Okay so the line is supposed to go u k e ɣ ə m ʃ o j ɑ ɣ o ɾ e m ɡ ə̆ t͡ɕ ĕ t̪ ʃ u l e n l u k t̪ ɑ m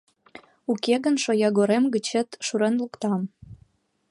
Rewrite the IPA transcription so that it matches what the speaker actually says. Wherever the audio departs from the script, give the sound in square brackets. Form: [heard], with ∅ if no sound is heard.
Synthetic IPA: u k e ɣ ə [n] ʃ o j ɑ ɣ o ɾ e m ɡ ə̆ t͡ɕ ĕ t̪ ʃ u [ɾ] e n l u k t̪ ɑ m